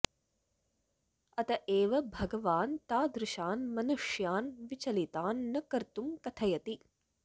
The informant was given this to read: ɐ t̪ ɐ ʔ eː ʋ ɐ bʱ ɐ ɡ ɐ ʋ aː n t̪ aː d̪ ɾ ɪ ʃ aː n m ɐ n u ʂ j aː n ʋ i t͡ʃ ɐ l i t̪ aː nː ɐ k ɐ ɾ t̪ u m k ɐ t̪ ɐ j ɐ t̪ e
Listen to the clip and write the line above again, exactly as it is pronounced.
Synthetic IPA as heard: ɐ t̪ ɐ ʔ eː ʋ ɐ bʱ ɐ ɡ ɐ ʋ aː n t̪ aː d̪ ɾ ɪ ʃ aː n m ɐ n u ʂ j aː n ʋ i t͡ʃ ɐ l i t̪ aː nː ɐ k ɐ ɾ t̪ u m k ɐ t̪ʰ ɐ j ɐ t̪ i